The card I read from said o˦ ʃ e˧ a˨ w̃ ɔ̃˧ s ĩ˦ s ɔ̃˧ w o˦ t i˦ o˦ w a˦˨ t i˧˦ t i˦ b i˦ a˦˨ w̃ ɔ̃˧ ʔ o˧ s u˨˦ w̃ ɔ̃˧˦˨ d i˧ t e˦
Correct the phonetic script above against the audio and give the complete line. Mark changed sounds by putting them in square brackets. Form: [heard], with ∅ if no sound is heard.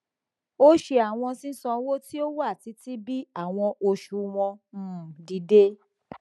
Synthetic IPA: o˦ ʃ e˧ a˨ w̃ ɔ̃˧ s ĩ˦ s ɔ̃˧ w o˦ t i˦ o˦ w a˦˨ t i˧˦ t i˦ b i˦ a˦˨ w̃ ɔ̃˧ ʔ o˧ [ʃ] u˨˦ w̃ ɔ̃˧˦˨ d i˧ [d] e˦